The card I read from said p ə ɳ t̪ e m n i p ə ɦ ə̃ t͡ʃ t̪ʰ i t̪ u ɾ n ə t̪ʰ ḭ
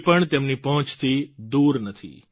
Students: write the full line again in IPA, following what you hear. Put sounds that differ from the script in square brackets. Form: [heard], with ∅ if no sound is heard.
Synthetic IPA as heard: p ə ɳ t̪ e m n i p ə ɦ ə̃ t͡ʃ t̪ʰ i [d̪] u ɾ n ə t̪ʰ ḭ